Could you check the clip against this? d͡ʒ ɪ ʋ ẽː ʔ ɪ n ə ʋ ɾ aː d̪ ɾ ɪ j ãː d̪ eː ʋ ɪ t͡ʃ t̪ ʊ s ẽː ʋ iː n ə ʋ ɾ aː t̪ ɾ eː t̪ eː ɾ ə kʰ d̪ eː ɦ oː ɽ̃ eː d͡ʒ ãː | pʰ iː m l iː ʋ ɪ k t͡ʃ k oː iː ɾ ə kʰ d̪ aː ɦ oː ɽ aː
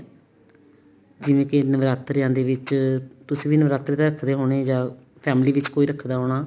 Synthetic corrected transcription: d͡ʒ ɪ ʋ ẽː k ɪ n ə ʋ ɾ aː t̪ ɾ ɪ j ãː d̪ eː ʋ ɪ t͡ʃ t̪ ʊ s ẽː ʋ iː n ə ʋ ɾ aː t̪ ɾ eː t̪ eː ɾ ə kʰ d̪ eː ɦ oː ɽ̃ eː d͡ʒ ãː | pʰ ɛː m l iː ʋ ɪ t͡ʃ k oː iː ɾ ə kʰ d̪ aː ɦ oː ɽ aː

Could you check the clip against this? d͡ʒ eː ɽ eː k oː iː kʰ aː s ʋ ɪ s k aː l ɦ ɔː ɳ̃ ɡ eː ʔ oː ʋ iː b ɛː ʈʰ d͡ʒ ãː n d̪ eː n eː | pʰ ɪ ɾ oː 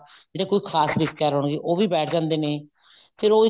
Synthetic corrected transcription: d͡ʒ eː ɽ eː k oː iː kʰ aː s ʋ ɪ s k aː ɾ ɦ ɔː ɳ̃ ɡ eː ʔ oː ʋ iː b ɛː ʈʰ d͡ʒ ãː n d̪ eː n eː | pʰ ɪ ɾ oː

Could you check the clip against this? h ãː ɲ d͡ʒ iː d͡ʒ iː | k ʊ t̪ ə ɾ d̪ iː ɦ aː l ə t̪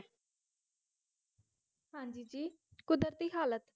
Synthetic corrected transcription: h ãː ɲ d͡ʒ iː d͡ʒ iː | k ʊ d̪ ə ɾ t̪ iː ɦ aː l ə t̪

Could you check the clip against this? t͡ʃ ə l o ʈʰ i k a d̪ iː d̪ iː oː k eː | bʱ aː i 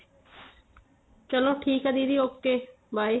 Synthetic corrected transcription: t͡ʃ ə l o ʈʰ iː k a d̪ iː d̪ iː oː k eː | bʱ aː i

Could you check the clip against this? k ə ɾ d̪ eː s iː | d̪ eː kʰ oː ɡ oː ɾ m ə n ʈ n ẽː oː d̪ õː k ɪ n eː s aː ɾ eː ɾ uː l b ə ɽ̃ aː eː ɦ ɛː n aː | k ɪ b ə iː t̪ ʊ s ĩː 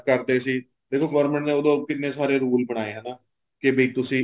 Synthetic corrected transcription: k ə ɾ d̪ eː s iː | d̪ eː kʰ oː ɡ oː ɾ m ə ɳ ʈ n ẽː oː d̪ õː k ɪ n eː s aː ɾ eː ɾ uː l b ə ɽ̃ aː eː ɦ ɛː n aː | k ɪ b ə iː t̪ ʊ s ĩː

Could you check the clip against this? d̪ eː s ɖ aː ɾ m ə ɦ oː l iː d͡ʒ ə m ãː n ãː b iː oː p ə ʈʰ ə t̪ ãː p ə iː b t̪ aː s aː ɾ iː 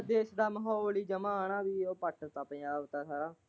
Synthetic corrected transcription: d̪ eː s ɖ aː m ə ɦ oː l iː d͡ʒ ə m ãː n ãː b iː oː p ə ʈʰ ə t̪ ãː p ə aː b t̪ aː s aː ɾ aː

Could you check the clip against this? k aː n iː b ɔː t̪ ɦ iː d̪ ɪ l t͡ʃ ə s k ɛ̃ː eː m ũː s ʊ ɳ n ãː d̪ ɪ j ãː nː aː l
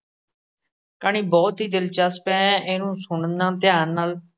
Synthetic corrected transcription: k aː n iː b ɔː t̪ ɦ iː d̪ ɪ l t͡ʃ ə s p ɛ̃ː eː n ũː s ʊ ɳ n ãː t̪ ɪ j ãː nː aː l

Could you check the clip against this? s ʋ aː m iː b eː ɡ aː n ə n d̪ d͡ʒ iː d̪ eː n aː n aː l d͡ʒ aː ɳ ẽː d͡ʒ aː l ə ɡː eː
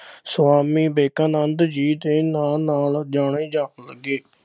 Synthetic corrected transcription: s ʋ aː m iː b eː k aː n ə n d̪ d͡ʒ iː d̪ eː n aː n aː l d͡ʒ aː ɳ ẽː d͡ʒ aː l ə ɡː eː

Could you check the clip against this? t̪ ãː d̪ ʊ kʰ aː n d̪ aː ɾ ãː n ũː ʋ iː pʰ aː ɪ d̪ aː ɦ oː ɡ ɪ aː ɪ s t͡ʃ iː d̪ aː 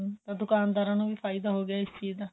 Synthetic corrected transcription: t̪ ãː d̪ ʊ k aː n d̪ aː ɾ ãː n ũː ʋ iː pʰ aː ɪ d̪ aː ɦ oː ɡ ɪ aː ɪ s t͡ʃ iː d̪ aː

